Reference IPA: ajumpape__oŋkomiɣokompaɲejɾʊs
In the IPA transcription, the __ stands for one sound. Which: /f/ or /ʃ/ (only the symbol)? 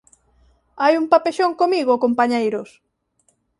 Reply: ʃ